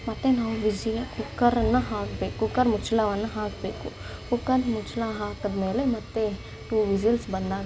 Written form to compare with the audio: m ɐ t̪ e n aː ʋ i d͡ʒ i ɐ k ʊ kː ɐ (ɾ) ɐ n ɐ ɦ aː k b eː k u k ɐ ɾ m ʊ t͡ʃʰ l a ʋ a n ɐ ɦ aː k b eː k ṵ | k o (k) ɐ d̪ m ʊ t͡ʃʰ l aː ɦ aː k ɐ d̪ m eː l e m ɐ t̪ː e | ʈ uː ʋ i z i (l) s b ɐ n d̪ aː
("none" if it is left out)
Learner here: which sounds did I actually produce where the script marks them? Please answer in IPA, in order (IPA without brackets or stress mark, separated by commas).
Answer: ɾ, k, l